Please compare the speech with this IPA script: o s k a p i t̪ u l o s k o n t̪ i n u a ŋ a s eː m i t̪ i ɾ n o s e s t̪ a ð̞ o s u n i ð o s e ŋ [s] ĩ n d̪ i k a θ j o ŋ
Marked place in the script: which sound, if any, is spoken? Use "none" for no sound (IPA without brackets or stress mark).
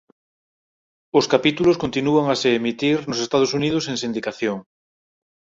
s